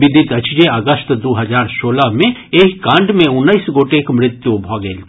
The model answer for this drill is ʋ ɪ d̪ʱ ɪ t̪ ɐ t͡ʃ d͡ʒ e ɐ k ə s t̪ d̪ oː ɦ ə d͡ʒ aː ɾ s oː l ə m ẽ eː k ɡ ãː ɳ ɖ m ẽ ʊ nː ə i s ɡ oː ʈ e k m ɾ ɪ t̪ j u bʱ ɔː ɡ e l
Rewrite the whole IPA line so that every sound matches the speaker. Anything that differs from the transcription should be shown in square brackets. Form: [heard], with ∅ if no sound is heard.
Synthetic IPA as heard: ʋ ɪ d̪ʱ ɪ t̪ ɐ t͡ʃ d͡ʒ e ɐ [ɡ] ə s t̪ d̪ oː ɦ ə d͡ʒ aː ɾ s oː l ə m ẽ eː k [k] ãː ɳ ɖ m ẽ ʊ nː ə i s ɡ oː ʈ e k m ɾ ɪ t̪ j u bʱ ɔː ɡ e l